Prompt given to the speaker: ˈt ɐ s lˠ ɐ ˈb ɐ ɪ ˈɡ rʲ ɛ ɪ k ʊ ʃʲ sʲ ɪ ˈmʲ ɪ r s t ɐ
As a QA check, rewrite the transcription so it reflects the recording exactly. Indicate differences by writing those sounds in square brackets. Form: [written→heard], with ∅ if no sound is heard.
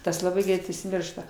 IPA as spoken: ˈt ɐ s lˠ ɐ ˈb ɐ ɪ ˈɡ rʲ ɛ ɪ [k→t] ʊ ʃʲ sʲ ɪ ˈmʲ ɪ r [s→ʃ] t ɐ